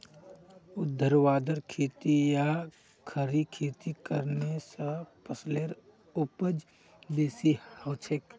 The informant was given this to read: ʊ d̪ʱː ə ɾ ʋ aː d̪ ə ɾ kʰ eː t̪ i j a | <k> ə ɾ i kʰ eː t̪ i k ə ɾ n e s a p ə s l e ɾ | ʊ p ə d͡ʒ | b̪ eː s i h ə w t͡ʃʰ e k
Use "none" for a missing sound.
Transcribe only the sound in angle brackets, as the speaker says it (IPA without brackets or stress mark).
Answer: kʰ